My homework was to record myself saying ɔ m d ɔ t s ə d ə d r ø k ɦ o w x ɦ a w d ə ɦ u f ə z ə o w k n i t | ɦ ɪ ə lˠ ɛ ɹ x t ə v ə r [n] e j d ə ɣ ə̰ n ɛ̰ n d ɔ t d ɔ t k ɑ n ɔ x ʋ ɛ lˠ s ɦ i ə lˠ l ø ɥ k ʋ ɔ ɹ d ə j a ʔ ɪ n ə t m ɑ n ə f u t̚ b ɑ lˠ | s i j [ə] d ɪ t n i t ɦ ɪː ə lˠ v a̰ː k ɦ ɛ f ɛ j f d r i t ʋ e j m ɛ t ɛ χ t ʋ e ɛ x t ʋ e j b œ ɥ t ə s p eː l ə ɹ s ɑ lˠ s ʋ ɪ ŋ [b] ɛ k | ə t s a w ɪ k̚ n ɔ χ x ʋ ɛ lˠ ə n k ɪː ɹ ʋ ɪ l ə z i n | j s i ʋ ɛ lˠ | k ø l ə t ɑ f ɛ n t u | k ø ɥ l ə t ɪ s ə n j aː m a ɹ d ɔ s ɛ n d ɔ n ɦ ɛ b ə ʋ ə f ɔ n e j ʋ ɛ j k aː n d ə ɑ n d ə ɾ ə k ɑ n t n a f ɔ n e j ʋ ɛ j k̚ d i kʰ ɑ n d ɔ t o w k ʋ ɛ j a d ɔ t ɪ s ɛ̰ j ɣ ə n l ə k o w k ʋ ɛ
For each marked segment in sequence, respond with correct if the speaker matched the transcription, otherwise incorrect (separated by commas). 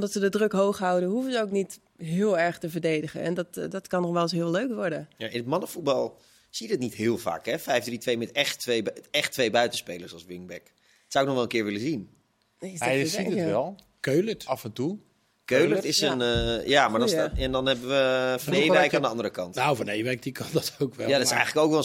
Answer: incorrect, correct, correct